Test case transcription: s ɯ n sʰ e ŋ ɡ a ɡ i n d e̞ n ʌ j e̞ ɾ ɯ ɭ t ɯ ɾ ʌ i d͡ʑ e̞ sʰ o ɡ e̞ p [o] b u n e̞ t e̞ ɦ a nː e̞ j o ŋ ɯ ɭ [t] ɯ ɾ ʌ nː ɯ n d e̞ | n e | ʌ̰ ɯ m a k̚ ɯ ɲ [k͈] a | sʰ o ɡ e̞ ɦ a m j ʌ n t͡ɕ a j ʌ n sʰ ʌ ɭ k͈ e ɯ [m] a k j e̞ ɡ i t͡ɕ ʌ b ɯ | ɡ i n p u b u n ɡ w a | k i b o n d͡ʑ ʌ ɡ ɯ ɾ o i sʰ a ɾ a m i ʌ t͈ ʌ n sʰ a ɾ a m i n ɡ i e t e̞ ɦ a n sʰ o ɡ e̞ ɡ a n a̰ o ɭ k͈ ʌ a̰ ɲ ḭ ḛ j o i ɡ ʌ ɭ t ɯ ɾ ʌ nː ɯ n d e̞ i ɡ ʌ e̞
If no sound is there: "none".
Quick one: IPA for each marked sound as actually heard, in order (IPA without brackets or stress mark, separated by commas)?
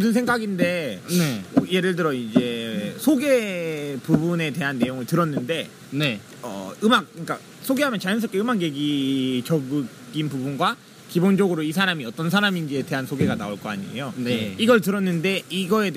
u, t, k͈, m